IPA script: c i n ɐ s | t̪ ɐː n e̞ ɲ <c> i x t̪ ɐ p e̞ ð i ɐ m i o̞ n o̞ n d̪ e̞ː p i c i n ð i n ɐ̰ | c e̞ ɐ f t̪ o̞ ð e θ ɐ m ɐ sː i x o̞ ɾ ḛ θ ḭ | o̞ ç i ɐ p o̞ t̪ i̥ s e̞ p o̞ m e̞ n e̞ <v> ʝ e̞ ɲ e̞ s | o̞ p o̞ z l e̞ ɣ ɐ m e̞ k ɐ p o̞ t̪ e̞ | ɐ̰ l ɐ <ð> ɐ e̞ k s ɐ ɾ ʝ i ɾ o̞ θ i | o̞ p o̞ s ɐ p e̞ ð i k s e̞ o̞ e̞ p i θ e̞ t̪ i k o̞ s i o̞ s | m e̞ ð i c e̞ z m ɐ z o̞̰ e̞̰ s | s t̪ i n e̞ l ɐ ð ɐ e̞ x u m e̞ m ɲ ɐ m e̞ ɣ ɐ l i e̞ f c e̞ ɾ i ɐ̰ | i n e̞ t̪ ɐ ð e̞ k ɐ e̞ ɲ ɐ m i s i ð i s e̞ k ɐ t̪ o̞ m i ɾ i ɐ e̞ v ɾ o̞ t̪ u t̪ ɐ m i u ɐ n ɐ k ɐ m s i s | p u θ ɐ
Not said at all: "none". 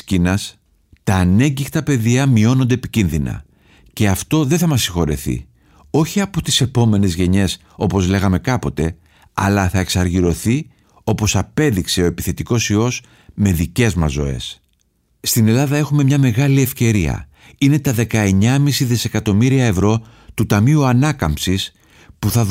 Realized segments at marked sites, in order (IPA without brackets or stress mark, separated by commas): ɟ, z, θ